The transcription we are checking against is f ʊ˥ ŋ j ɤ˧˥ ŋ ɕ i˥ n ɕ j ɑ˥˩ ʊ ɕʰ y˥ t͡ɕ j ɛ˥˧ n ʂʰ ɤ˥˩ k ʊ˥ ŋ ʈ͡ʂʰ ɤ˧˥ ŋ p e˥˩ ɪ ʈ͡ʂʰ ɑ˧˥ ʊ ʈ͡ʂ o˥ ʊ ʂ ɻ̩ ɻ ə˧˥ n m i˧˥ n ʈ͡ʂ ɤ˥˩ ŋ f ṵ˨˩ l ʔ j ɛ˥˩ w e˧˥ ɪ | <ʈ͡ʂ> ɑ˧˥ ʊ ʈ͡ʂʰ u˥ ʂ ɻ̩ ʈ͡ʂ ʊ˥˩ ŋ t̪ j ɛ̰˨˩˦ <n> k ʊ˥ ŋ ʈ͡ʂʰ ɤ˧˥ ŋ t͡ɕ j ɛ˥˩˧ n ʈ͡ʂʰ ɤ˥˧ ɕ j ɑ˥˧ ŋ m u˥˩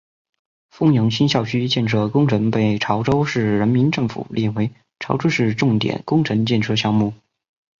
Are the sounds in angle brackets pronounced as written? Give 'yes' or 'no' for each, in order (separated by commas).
no, yes